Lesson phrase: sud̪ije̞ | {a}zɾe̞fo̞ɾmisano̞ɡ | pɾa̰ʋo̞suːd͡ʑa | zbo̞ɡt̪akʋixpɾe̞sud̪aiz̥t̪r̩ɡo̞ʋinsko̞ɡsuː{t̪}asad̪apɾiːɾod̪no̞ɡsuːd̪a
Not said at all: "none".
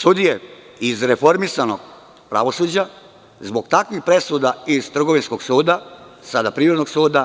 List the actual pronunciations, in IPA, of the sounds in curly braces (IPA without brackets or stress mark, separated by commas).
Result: i, d̪